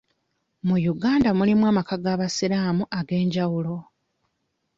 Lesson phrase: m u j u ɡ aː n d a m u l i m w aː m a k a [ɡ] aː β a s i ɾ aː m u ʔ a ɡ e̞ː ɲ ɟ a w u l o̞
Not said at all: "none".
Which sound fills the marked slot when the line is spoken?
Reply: ɡ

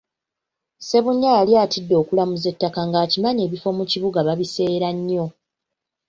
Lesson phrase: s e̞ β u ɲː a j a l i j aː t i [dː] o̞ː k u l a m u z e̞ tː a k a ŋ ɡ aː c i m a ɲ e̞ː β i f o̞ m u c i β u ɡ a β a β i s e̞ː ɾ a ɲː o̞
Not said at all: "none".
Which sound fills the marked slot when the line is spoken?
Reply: dː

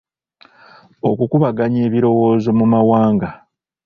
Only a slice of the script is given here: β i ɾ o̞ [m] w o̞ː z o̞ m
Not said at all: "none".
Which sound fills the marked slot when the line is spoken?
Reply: none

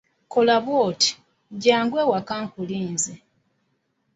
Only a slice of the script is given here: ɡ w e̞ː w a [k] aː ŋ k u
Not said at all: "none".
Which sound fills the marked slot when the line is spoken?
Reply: k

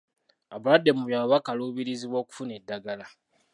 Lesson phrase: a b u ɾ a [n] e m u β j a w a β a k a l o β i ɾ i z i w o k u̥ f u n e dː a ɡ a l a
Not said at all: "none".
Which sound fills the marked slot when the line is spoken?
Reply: d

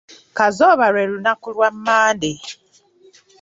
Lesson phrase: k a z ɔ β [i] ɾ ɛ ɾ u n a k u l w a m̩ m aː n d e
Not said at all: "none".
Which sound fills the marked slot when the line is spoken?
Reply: a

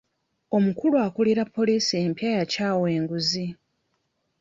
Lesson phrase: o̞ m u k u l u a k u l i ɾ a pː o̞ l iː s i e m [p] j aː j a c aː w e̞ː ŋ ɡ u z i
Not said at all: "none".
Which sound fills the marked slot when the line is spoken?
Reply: p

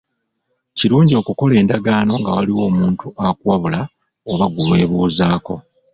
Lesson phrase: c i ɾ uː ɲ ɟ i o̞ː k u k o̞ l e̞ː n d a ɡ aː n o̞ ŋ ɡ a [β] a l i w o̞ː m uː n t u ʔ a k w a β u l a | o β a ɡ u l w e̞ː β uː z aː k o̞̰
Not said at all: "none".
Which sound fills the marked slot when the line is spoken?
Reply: w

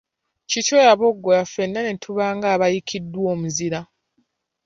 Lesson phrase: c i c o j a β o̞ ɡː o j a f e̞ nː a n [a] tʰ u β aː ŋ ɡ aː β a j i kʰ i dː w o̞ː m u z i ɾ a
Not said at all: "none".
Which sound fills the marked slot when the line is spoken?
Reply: e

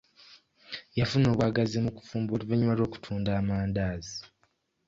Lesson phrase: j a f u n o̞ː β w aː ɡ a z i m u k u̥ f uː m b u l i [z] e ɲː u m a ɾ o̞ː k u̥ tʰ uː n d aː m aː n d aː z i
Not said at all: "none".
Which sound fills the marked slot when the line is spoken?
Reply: v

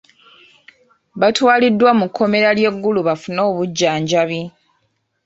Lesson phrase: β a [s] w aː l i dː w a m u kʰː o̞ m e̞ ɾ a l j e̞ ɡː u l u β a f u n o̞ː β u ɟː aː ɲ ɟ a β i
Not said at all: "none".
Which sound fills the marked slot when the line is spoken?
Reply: t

